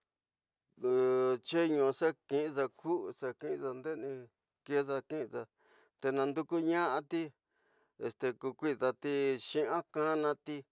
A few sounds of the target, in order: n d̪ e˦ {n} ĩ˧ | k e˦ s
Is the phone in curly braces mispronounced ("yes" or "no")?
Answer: no